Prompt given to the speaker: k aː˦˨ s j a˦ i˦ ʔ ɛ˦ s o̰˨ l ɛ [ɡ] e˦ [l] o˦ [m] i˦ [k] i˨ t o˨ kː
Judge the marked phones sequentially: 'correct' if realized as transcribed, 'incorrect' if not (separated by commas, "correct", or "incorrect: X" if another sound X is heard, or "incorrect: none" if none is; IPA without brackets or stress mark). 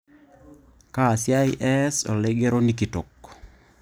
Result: correct, incorrect: ɾ, incorrect: n, correct